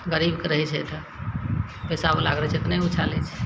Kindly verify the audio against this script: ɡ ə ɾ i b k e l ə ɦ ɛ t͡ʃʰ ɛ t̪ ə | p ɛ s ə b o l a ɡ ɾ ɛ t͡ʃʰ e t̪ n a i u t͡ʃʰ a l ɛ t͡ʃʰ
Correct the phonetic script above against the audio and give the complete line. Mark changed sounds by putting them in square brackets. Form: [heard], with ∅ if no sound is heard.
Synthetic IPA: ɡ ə ɾ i b k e [ɾ] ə ɦ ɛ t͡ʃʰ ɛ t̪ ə | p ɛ s [a] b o l a ɡ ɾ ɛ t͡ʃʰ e t̪ n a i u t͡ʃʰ a l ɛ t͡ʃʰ